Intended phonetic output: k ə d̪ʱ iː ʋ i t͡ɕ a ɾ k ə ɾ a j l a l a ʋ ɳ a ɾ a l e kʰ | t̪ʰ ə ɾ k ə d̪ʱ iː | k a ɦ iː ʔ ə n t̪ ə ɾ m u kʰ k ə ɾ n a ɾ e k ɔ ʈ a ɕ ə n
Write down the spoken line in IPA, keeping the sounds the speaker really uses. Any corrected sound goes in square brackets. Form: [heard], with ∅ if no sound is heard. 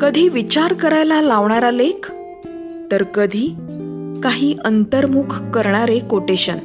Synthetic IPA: k ə d̪ʱ iː ʋ i t͡ɕ a ɾ k ə ɾ a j l a l a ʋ ɳ a ɾ a l e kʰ | [t̪] ə ɾ k ə d̪ʱ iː | k a ɦ iː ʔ ə n t̪ ə ɾ m u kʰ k ə ɾ [ɳ] a ɾ e k [o] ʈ [e] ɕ ə n